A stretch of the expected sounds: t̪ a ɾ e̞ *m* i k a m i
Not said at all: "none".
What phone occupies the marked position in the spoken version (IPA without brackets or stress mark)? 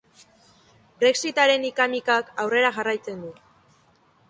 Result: n